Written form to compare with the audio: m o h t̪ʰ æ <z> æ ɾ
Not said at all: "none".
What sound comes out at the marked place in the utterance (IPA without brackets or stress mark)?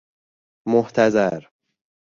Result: z